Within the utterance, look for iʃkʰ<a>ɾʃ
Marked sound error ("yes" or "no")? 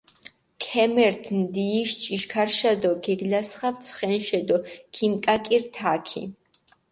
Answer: no